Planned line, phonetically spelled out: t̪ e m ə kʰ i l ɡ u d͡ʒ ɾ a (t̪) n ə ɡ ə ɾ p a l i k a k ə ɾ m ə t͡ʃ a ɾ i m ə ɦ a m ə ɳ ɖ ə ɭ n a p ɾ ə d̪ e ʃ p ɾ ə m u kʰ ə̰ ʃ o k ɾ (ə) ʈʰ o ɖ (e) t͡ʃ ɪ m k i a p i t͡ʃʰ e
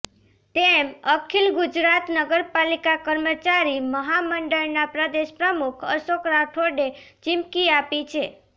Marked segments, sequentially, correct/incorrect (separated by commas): correct, incorrect, correct